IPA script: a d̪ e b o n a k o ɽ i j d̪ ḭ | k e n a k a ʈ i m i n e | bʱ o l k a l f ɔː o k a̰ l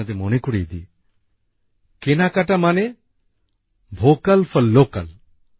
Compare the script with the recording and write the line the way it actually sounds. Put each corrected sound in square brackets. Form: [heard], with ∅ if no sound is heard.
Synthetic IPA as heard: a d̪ e [m] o n [e] k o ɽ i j d̪ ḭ | k e n a k a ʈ [a] m [a] n e | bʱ o [∅] k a l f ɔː o k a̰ l

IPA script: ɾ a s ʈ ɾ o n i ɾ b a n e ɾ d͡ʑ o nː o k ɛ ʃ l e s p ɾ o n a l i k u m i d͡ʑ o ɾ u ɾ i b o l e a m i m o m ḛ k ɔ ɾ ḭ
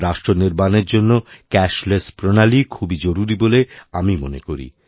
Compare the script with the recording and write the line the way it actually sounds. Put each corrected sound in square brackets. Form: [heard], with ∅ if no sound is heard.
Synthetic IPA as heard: ɾ a [ʃ] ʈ ɾ o n i ɾ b a n e ɾ d͡ʑ o nː o k ɛ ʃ l e s p ɾ o n a l i [kʰ] u [b] i d͡ʑ o ɾ u ɾ i b o l e a m i m o [n] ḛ k [o] ɾ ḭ

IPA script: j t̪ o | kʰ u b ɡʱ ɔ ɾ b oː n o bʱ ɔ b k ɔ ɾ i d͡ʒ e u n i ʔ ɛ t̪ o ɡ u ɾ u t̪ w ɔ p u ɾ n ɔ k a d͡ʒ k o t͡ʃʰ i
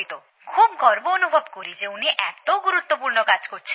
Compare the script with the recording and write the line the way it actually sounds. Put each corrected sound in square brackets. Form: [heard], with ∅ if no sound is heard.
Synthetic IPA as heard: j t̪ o | kʰ u b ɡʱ ɔ ɾ b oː n [u] bʱ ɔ b k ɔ ɾ i d͡ʒ e u n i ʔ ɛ t̪ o ɡ u ɾ u t̪ w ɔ p u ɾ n ɔ k a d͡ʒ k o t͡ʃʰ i

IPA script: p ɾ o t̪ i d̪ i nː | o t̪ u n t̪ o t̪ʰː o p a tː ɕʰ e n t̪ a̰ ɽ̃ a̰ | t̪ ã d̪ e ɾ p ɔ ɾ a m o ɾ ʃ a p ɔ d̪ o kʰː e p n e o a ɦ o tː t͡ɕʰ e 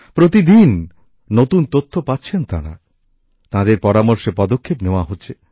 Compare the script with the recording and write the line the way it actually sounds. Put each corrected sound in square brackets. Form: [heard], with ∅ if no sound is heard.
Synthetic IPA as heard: p ɾ o t̪ i d̪ i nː | o t̪ u n t̪ o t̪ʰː o p a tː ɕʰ e n t̪ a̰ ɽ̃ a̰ | t̪ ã d̪ e ɾ p ɔ ɾ a m o ɾ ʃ [e] p ɔ d̪ o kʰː e p n e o a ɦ o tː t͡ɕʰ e

